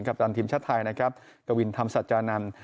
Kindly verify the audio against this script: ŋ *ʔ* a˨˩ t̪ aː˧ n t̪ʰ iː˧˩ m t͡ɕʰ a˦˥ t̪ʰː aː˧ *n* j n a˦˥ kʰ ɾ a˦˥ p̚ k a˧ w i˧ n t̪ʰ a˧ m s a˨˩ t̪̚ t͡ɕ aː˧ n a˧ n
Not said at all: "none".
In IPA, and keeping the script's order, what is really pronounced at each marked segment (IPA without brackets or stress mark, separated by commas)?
k, none